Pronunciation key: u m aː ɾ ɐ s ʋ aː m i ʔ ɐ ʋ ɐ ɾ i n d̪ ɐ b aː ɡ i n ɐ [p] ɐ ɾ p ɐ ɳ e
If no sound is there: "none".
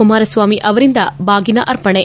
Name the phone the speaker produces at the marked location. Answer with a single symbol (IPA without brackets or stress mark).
ʔ